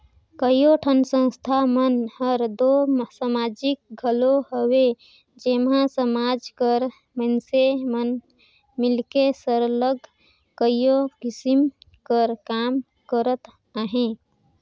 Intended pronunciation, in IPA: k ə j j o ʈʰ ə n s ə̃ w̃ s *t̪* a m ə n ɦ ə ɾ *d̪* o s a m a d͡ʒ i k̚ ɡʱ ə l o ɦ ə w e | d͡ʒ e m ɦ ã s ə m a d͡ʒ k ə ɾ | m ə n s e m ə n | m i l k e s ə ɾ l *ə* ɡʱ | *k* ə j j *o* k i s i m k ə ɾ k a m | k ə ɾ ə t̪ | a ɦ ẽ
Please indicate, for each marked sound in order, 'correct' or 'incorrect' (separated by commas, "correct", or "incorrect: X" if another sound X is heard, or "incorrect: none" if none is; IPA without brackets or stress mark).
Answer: incorrect: t̪ʰ, correct, correct, correct, correct